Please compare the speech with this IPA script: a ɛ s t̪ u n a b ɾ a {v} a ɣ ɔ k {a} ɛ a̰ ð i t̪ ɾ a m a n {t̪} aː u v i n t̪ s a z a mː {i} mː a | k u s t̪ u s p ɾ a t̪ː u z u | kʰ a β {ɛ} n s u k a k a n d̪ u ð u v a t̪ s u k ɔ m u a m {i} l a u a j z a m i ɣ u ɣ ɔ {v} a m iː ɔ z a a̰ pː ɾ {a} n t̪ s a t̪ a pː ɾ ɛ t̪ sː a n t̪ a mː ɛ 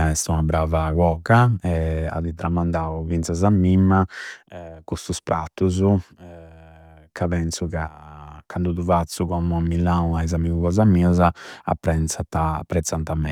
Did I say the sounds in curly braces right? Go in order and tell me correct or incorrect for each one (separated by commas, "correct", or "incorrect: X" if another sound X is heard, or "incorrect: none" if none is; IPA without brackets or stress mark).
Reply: correct, correct, incorrect: d̪, correct, correct, correct, incorrect: z, incorrect: ɛ